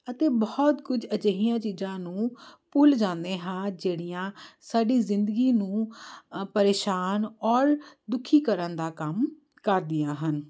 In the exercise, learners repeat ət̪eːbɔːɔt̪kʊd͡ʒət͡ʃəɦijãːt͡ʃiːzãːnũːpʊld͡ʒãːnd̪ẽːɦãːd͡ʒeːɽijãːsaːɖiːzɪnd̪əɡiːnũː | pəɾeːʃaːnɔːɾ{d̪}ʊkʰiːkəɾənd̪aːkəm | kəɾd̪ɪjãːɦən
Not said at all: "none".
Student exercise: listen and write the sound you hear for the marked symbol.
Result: d̪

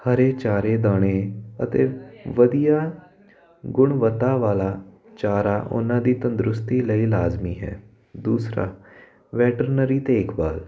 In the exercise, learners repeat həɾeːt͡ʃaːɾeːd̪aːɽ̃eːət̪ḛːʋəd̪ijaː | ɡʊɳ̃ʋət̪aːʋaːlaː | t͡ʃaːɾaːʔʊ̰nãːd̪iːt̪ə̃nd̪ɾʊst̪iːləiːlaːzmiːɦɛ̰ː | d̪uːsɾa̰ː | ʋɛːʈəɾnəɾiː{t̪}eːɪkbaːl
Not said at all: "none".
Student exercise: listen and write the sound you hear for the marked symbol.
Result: t̪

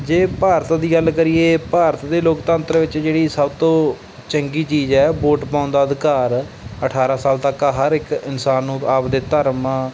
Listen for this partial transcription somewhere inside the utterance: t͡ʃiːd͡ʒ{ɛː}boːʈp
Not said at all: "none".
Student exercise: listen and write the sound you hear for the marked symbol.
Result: ɛː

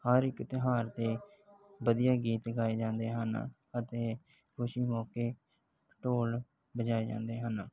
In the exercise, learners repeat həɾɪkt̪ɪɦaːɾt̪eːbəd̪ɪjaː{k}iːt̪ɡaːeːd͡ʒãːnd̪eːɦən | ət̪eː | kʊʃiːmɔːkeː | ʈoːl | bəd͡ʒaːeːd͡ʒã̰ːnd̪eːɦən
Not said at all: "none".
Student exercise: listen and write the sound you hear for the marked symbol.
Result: ɡ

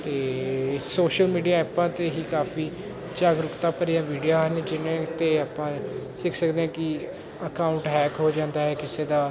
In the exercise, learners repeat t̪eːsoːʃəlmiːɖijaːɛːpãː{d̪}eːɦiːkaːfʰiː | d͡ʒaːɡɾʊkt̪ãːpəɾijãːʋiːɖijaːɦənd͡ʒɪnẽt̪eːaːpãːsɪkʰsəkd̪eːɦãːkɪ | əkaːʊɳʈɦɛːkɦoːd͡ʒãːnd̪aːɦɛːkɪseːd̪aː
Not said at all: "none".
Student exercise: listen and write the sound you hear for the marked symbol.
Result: t̪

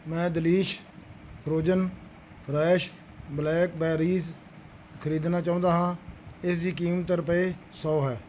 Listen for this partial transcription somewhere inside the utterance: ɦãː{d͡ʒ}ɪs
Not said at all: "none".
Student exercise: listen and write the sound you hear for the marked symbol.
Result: none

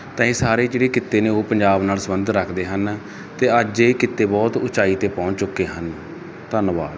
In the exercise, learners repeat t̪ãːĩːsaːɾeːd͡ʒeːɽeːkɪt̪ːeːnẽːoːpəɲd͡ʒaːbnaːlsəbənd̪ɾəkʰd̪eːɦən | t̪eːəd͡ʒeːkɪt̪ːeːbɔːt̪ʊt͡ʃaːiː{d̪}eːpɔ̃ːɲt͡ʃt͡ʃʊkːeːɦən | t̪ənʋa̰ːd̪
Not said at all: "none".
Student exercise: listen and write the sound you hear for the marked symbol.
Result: t̪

